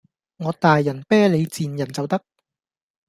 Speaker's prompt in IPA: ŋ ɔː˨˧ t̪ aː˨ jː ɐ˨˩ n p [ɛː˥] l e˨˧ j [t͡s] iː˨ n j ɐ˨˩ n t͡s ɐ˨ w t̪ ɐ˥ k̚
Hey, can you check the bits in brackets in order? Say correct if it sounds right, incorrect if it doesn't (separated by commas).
correct, correct